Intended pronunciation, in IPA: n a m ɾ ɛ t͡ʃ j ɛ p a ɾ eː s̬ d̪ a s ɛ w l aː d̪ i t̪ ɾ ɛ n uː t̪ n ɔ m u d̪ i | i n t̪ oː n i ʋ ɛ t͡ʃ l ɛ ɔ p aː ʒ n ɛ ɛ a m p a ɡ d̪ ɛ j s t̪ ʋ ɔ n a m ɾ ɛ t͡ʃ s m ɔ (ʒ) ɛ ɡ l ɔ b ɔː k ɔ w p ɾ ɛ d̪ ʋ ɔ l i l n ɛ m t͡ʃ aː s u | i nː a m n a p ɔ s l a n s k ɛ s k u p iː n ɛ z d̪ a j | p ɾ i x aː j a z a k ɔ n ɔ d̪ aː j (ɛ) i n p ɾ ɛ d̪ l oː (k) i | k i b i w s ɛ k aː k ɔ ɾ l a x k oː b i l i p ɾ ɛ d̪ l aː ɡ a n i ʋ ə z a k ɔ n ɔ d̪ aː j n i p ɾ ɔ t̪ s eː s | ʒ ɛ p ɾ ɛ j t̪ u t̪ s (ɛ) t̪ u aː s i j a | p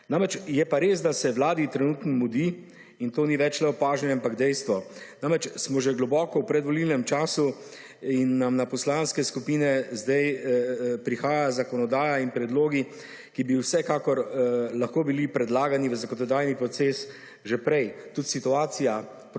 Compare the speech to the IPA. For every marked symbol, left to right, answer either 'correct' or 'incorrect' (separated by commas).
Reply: correct, incorrect, incorrect, incorrect